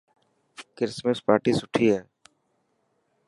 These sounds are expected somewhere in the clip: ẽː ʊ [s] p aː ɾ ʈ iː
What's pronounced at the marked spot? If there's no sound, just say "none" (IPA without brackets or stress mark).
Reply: s